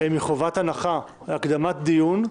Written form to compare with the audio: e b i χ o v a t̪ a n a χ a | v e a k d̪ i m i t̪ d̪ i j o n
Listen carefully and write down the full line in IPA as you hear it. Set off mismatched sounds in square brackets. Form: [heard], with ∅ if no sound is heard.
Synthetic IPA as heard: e [m] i χ o v a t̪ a n a χ a | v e a k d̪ [a] m [a] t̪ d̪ i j [u] n